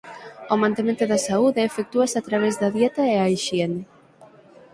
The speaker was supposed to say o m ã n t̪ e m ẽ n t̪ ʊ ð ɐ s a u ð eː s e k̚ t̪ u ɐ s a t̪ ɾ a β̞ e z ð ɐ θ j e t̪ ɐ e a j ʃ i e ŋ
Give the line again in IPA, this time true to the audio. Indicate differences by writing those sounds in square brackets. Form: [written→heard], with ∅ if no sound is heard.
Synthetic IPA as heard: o m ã n t̪ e m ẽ n t̪ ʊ ð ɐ s a u ð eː [s→f] e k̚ t̪ u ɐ s a t̪ ɾ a β̞ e z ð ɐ [θ→ð] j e t̪ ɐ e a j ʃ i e [ŋ→n]